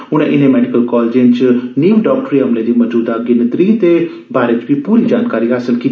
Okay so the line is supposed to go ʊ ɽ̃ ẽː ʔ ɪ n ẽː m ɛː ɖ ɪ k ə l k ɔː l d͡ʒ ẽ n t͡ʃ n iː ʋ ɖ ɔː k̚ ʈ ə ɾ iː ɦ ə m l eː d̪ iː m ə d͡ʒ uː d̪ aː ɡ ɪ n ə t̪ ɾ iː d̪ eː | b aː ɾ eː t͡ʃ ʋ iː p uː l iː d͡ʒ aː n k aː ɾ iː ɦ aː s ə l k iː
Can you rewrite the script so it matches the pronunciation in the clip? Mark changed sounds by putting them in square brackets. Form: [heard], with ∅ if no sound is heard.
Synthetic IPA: ʊ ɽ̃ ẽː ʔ ɪ n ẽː m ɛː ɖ ɪ k ə l k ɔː l d͡ʒ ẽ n t͡ʃ n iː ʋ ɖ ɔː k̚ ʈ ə ɾ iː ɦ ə m l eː d̪ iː m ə d͡ʒ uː d̪ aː ɡ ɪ n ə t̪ ɾ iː [t̪] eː | b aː ɾ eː t͡ʃ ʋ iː p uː [ɾ] iː d͡ʒ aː n k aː ɾ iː ɦ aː s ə l k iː